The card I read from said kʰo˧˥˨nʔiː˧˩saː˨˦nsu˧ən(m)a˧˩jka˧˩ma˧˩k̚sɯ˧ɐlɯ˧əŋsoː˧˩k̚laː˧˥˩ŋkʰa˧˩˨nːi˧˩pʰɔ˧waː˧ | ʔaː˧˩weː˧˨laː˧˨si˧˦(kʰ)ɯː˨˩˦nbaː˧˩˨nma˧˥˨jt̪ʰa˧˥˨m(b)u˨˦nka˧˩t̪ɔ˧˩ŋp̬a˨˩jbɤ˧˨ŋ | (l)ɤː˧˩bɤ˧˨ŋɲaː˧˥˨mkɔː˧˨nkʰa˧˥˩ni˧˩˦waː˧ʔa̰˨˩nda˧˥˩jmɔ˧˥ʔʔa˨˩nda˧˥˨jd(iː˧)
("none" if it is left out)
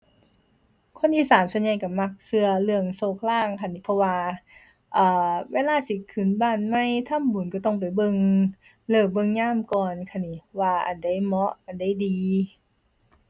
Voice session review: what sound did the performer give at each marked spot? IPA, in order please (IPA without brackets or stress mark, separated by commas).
ɲ, kʰ, b, l, iː˧